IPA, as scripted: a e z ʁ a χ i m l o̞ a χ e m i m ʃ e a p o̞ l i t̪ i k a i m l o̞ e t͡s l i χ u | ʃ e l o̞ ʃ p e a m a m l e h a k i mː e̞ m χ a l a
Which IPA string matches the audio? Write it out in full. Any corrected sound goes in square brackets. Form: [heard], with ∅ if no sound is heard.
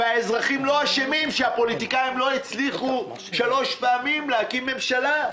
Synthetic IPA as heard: a e z ʁ a χ i m l o̞ a [ʃ] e m i m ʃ e a p o̞ l i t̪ i k a i m l o̞ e t͡s l i χ u | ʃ [a] l o̞ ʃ p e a m [i] m l e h a k i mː e̞ m [ʃ] a l a